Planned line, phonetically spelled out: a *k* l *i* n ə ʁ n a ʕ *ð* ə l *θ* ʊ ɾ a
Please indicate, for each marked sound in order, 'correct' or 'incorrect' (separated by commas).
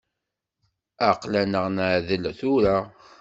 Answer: incorrect, incorrect, correct, correct